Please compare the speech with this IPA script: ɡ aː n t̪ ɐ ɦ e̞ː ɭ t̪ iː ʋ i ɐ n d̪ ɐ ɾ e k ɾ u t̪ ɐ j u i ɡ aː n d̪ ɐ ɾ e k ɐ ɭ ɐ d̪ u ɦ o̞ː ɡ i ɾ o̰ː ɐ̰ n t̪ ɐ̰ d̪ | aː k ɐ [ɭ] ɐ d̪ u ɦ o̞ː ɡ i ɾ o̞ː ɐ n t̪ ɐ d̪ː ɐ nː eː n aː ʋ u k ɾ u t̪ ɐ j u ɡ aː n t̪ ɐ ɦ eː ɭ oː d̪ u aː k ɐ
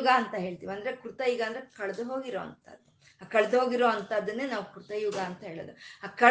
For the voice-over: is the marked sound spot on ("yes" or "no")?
yes